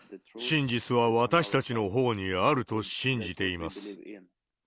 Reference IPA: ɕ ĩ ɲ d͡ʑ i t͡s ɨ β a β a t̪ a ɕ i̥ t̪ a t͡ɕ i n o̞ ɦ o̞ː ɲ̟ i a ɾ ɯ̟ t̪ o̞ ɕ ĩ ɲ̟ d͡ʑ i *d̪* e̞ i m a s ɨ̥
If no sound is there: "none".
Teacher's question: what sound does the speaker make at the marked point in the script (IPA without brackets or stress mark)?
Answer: t̪